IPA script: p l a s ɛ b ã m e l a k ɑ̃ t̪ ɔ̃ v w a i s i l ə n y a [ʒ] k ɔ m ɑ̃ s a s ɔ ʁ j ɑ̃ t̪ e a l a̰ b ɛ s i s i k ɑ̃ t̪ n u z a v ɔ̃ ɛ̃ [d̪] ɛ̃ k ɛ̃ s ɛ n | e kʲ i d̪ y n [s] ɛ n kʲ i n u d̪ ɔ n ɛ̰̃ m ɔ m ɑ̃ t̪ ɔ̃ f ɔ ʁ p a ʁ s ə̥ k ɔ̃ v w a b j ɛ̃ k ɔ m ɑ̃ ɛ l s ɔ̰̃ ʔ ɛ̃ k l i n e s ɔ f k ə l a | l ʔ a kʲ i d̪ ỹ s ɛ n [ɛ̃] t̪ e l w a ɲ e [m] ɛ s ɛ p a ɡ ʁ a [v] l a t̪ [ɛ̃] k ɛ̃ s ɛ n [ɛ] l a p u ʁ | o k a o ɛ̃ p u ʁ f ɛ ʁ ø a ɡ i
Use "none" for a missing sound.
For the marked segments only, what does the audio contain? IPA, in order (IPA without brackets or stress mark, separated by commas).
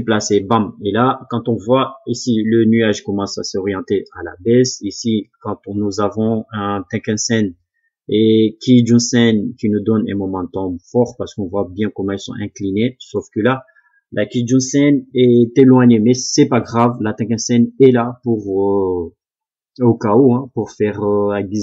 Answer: ʒ, t̪, s, ɛ, m, v, ɛ̃, ɛ